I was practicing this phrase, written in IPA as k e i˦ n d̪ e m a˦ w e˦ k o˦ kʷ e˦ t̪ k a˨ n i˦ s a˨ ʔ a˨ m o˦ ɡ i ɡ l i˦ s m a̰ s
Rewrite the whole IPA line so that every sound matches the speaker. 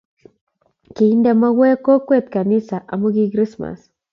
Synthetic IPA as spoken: k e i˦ n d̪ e m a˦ w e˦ k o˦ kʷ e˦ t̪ k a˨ n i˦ s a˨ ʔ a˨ m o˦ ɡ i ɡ ɾ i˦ s m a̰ s